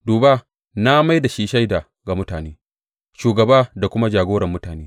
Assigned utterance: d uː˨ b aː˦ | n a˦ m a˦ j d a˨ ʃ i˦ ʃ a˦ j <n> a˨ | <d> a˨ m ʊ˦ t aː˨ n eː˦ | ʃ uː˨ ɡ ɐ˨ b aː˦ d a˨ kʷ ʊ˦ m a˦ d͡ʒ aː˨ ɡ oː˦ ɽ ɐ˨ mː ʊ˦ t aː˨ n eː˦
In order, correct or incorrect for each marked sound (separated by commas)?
incorrect, incorrect